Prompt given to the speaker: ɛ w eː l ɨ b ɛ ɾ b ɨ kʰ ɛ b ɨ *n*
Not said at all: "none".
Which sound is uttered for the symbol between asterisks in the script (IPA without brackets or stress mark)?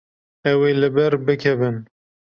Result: n